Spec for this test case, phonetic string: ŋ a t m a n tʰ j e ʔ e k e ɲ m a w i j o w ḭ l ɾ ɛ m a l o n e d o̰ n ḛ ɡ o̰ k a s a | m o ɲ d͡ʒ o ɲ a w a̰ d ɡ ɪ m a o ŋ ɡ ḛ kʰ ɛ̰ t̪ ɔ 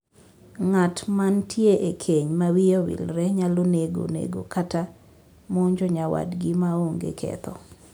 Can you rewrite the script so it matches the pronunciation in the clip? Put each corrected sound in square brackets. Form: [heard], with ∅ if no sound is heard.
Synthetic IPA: ŋ a t m a n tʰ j e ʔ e [kʰ] e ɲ m a w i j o w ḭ l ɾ ɛ [ɲ] a l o n e [ɡ] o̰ n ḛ ɡ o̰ k a [t] a | m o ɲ d͡ʒ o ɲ a w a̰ d ɡ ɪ m a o ŋ ɡ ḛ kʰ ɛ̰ t̪ ɔ